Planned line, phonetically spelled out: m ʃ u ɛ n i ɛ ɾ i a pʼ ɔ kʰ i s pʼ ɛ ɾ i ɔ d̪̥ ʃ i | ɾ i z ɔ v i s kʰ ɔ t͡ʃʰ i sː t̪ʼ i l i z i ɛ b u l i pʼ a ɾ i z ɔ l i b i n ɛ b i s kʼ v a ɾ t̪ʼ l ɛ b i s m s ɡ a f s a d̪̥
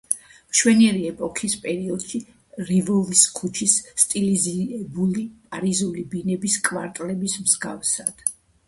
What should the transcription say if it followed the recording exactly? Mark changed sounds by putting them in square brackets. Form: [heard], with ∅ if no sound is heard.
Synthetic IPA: m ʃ [w] ɛ n i ɛ ɾ i [ɛ] pʼ ɔ kʰ i s pʼ ɛ ɾ i ɔ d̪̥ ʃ i | ɾ i [v] ɔ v i s kʰ [u] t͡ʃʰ i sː t̪ʼ i l i z i ɛ b u l i pʼ a ɾ i z [u] l i b i n ɛ b i s kʼ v a ɾ t̪ʼ l ɛ b i s m [z] ɡ a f s a d̪̥